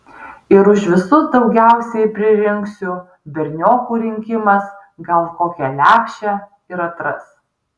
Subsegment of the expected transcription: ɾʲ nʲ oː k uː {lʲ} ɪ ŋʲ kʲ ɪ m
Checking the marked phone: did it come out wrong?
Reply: yes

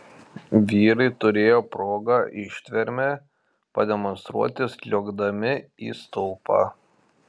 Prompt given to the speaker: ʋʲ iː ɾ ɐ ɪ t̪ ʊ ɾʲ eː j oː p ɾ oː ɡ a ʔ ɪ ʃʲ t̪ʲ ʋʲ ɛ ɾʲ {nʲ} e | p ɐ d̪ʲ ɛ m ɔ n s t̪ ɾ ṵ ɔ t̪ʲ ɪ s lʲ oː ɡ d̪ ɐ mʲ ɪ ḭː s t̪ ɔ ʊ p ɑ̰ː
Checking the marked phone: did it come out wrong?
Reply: yes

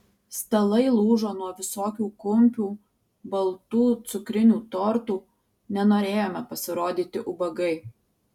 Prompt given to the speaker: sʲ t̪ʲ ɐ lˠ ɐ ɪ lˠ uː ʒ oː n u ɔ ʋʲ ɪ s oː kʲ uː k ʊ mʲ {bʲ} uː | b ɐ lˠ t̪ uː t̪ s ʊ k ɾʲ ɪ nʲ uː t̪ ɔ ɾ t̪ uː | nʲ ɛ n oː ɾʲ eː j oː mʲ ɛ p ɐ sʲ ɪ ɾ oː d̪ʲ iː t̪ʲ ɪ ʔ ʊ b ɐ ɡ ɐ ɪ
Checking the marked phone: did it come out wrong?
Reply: yes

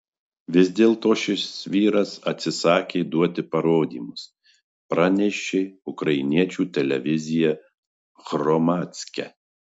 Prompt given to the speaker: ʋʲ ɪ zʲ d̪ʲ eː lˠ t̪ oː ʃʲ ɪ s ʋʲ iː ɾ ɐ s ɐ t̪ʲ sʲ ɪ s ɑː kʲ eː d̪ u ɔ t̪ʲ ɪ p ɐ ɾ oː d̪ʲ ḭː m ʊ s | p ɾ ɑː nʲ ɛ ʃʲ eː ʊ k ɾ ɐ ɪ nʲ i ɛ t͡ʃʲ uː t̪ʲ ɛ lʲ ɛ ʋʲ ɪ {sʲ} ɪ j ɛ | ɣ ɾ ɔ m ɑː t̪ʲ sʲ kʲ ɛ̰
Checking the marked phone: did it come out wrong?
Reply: yes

